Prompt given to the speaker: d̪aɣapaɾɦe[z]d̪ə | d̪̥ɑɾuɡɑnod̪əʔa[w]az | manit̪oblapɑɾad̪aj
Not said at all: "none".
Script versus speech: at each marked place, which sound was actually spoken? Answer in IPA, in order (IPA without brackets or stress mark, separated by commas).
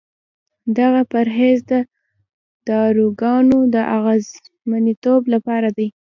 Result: z, ɣ